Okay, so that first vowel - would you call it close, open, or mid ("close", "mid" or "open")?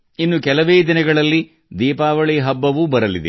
close